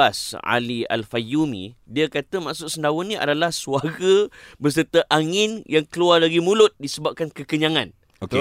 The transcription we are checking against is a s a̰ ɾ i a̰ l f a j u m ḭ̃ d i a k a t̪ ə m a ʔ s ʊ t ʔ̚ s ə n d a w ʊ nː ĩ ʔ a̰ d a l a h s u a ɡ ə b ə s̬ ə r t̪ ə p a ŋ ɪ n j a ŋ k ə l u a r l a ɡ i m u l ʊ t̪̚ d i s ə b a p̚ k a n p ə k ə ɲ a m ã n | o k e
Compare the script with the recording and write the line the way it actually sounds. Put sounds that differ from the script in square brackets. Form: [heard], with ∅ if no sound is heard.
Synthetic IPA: a s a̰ [l] i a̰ l f a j u m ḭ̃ d i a k a t̪ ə m a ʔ s ʊ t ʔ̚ s ə n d a w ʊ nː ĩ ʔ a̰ d a l a h s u a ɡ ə b ə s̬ ə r t̪ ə [ʔ] a ŋ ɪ n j a ŋ k ə l u a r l a ɡ i m u l ʊ t̪̚ d i s ə b a p̚ k a n [k] ə k ə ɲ a [ŋ] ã n | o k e